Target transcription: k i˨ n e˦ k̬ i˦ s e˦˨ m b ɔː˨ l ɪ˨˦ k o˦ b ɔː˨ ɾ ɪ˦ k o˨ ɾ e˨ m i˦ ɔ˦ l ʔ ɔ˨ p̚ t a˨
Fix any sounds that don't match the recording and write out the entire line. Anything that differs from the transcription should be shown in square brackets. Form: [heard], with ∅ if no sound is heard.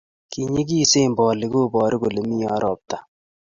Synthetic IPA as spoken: k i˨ [ɲ] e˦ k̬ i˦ s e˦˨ m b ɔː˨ l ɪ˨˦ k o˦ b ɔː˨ ɾ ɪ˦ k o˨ [l] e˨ m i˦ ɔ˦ [ɾ] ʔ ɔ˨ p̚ t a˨